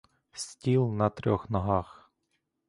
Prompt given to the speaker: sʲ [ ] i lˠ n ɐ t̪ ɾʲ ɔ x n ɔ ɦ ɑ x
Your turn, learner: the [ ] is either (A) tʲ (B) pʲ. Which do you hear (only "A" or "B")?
A